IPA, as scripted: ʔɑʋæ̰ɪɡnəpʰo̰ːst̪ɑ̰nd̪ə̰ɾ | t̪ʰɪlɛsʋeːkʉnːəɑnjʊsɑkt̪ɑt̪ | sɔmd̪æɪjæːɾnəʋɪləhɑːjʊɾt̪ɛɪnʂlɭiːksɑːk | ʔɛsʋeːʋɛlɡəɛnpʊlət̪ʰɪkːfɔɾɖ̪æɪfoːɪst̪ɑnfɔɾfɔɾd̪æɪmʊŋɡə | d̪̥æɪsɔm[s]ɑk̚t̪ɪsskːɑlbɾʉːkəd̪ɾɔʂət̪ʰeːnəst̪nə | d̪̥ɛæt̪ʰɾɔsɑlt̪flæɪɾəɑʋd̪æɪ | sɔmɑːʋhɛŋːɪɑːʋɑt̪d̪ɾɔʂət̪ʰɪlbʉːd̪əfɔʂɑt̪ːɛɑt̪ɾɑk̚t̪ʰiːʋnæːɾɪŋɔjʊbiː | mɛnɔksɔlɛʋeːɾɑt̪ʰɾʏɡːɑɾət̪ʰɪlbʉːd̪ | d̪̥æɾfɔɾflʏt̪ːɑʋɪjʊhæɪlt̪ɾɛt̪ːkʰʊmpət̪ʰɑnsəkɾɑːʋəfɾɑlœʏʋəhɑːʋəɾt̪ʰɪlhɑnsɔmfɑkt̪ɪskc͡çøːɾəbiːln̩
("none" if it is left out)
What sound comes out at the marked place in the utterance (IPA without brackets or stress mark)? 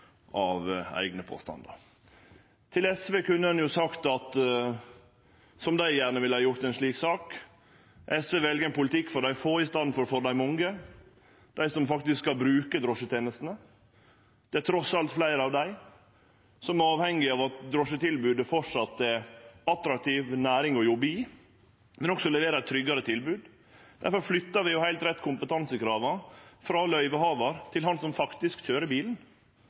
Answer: f